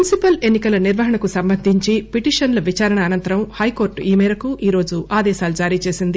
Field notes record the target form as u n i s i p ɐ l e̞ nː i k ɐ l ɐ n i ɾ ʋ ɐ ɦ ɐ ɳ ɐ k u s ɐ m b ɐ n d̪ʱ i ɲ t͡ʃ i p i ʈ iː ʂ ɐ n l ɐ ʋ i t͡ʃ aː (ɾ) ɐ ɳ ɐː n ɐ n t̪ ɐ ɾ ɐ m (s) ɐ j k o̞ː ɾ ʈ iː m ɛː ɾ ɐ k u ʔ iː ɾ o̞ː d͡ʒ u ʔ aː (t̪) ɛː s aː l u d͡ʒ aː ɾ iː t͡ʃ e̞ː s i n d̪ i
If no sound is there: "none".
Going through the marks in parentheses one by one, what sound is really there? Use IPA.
ɾ, h, d̪

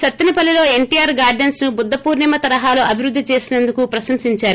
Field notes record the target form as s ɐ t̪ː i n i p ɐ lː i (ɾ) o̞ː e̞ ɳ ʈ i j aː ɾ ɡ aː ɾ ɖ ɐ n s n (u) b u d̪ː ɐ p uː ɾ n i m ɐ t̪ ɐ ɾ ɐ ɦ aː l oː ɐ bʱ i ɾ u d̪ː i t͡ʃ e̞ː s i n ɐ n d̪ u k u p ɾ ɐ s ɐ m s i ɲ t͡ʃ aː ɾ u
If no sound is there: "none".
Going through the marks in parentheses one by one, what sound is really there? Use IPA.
l, u

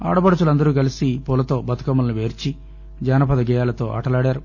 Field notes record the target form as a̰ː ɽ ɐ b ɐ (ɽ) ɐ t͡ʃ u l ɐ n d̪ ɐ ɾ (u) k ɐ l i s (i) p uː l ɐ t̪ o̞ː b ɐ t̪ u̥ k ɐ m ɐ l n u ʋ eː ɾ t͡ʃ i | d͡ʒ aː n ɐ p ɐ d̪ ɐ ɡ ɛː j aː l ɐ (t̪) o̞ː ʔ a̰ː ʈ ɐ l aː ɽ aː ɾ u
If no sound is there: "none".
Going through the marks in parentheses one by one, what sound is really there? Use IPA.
ɽ, uː, i, t̪

